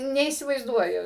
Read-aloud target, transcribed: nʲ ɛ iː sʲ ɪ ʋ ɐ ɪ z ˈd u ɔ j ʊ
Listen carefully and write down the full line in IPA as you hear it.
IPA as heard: nʲ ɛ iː sʲ ɪ ʋ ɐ ɪ z ˈd u ɔ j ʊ